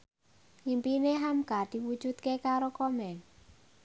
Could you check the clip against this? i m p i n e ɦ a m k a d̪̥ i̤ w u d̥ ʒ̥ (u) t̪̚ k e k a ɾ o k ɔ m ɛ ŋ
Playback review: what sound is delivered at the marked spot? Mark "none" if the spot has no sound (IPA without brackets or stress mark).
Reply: u